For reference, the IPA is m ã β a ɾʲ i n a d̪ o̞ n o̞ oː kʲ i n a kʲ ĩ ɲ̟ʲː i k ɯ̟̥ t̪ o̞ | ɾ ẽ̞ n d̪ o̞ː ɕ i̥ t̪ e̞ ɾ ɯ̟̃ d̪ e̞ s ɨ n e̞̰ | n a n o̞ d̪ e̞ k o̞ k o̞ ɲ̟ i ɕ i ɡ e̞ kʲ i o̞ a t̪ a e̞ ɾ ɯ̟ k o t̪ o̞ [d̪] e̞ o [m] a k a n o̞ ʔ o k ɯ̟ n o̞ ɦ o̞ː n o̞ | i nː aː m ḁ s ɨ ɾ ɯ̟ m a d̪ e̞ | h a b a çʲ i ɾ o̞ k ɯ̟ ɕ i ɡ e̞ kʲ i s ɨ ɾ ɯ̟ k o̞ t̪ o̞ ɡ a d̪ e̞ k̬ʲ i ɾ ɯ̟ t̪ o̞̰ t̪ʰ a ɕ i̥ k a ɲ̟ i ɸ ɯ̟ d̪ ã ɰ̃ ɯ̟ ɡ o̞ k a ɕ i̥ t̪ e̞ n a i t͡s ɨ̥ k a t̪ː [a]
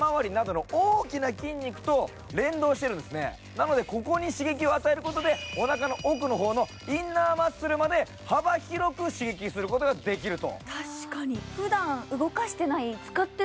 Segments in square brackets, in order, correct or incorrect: correct, incorrect: n, incorrect: e

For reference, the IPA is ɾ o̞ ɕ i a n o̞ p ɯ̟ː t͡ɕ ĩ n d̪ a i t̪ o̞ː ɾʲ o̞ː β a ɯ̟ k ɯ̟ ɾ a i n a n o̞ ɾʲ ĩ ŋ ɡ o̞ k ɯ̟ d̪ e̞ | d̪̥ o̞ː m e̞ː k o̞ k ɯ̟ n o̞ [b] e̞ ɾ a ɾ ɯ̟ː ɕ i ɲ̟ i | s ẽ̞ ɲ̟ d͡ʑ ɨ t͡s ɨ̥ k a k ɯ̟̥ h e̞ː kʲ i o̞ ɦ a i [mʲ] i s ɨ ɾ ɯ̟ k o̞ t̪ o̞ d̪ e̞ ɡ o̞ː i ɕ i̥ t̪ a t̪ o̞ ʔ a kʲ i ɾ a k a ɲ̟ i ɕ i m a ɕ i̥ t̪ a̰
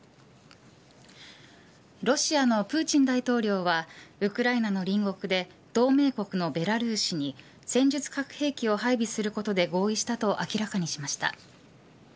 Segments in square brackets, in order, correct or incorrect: correct, incorrect: bʲ

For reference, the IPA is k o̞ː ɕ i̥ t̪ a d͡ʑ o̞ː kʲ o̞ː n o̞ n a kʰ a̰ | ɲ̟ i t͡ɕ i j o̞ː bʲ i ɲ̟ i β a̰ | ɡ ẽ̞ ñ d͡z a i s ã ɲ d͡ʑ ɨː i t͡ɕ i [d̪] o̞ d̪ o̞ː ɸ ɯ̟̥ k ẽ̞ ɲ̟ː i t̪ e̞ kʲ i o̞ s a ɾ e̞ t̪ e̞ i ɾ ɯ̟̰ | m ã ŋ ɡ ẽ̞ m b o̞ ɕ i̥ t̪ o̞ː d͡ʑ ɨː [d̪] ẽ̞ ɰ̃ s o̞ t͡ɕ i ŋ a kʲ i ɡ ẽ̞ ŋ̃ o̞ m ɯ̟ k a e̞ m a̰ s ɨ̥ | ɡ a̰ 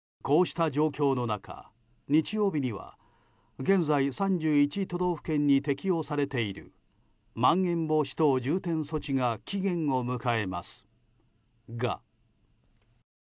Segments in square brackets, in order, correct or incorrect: incorrect: t̪, incorrect: t̪

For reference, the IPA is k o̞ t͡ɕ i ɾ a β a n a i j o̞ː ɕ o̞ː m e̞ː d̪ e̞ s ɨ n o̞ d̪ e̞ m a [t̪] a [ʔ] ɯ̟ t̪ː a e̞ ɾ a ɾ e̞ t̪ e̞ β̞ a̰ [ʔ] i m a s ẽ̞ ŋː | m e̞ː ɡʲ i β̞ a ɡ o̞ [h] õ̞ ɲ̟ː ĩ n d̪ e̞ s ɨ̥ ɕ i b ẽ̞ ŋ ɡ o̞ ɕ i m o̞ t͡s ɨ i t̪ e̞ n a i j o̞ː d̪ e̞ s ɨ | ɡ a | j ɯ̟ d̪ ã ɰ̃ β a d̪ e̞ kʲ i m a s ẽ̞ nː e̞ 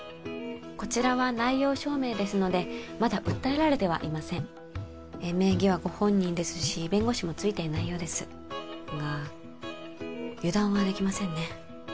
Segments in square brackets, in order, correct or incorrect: incorrect: d̪, correct, correct, correct

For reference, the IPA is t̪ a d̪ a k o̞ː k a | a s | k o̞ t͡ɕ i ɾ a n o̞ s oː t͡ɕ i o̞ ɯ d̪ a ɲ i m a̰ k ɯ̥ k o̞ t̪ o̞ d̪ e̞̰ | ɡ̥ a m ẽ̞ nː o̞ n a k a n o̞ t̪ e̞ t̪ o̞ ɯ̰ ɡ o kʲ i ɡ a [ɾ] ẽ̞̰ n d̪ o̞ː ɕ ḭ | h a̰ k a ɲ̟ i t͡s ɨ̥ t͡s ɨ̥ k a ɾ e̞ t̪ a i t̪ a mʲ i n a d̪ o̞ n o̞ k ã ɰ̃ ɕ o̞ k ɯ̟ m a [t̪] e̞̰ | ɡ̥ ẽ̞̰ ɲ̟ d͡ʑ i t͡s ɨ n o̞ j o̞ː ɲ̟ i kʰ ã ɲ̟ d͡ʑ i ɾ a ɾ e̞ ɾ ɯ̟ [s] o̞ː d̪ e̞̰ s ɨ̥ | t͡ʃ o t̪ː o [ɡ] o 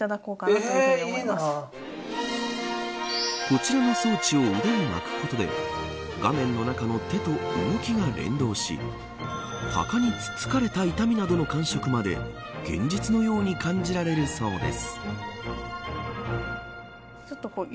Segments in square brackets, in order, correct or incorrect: correct, incorrect: d̪, correct, incorrect: k

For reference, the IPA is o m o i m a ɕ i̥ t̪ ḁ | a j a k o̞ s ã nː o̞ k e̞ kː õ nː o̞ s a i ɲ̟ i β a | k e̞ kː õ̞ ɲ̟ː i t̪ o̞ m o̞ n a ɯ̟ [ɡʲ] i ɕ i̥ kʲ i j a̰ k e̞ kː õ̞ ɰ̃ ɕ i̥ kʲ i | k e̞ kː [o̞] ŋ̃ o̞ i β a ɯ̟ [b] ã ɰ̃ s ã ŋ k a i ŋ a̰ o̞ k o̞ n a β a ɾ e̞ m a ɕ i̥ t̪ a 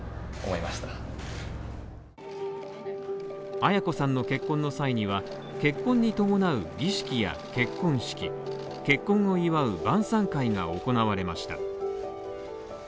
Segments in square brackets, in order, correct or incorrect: correct, incorrect: õ̞, correct

